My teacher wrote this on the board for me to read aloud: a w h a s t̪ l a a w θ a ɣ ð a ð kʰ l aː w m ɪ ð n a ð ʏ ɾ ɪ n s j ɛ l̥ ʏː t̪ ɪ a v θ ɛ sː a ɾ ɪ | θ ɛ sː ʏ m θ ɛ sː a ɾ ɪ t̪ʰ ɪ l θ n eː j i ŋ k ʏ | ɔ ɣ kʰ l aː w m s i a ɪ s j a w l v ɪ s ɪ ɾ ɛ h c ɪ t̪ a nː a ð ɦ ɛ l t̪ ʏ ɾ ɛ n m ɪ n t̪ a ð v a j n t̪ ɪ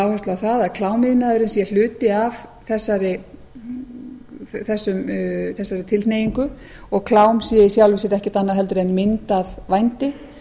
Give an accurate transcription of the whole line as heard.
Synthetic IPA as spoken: a w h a s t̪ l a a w θ a ð a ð kʰ l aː w m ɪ ð n a ð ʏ ɾ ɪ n s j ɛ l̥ ʏː t̪ ɪ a v θ ɛ sː a ɾ ɪ | θ ɛ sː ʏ m θ ɛ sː a ɾ ɪ t̪ʰ ɪ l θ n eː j i ŋ k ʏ | ɔ ɣ kʰ l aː w m s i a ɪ s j a w l v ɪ s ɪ ɾ ɛ h c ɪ t̪ a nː a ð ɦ ɛ l t̪ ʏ ɾ ɛ n m ɪ n t̪ a ð v a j n t̪ ɪ